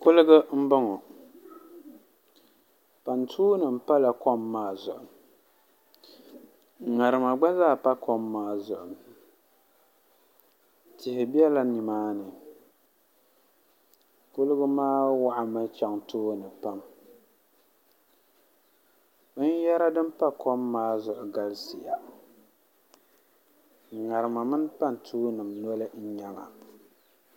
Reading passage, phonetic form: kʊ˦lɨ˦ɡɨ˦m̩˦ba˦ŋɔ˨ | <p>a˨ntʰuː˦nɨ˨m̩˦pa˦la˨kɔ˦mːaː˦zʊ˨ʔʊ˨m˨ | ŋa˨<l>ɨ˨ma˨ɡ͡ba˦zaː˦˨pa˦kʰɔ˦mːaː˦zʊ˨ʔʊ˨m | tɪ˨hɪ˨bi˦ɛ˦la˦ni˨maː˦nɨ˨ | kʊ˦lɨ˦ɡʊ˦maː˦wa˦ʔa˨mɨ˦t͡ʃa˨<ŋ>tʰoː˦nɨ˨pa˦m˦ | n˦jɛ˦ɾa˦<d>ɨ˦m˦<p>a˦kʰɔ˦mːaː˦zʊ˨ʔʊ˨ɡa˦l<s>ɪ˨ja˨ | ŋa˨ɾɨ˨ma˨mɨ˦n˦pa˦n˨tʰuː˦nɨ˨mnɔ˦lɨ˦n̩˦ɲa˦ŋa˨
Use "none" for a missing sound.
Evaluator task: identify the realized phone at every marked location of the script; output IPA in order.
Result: p, ɾ, ŋ, d, p, s

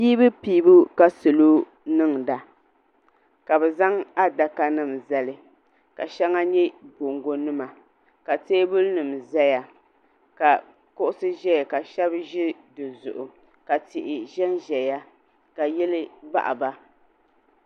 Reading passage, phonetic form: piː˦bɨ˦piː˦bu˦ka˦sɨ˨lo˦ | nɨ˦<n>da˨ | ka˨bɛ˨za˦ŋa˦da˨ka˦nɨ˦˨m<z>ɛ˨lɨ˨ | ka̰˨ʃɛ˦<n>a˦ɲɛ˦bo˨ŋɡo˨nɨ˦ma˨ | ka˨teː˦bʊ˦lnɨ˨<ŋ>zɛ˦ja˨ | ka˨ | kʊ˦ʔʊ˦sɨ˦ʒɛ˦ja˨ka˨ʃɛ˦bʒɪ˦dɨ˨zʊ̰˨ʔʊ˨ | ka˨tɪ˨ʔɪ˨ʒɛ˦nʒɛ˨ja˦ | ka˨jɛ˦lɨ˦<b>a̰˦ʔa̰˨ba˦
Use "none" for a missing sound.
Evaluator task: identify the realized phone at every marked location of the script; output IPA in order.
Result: ŋ, z, ŋ, m, b

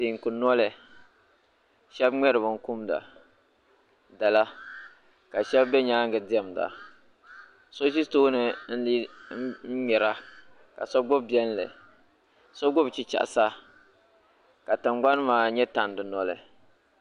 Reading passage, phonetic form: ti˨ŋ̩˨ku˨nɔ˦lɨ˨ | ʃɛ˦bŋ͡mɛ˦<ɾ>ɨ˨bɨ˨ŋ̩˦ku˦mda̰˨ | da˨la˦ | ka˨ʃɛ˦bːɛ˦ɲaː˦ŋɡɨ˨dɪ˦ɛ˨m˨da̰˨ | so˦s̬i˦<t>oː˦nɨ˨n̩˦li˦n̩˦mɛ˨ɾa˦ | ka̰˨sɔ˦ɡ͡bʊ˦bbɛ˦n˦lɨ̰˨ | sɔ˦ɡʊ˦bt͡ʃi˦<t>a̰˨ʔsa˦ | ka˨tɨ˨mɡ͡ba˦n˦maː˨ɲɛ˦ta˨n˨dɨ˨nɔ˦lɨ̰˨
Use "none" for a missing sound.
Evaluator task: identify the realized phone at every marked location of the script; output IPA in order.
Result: ɾ, t, t͡ʃ

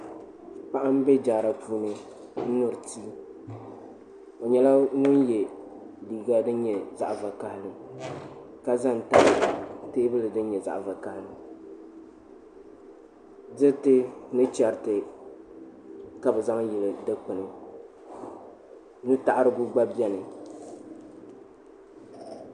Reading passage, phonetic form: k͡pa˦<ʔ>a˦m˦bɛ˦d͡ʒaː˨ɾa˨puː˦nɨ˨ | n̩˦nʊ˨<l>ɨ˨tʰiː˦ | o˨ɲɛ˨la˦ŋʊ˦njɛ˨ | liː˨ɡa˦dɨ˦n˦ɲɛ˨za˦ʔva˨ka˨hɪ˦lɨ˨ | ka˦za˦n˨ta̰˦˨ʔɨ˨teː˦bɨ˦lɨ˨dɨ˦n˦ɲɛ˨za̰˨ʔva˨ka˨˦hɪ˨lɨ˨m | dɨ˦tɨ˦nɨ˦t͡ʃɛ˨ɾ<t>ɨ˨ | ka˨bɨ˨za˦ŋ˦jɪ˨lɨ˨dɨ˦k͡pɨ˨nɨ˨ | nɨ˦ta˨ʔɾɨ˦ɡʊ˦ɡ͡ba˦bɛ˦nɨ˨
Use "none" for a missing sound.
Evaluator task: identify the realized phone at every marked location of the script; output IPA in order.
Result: ʔ, ɾ, t

